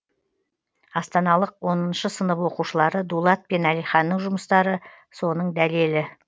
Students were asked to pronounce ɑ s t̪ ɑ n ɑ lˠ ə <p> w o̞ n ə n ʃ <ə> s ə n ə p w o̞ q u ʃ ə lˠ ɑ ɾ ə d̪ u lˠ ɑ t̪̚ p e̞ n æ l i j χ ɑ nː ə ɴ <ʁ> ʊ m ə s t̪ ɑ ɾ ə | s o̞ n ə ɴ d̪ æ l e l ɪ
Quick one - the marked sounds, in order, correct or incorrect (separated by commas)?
incorrect, correct, incorrect